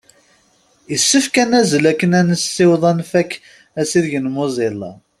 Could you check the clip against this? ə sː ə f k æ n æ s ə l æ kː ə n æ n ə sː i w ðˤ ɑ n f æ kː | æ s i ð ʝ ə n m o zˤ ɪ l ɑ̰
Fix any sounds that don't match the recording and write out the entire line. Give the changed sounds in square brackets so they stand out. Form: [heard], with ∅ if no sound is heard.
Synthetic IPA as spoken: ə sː ə f k æ n æ [z] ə l æ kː ə n æ n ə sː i w ðˤ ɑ n f æ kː | æ s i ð ʝ ə n m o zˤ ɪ l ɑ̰